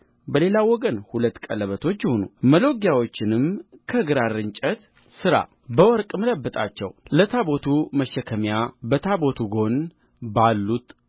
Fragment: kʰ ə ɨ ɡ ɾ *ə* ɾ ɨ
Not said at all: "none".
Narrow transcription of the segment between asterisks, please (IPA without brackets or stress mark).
a